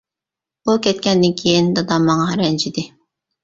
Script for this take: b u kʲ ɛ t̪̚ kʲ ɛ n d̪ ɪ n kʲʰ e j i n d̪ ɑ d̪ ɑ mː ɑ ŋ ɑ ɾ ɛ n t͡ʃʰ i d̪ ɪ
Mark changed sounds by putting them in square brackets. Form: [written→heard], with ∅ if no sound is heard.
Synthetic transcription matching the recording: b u kʲ ɛ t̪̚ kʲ ɛ n d̪ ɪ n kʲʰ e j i n d̪ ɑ d̪ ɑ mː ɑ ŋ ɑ ɾ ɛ n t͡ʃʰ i d̪ ɪ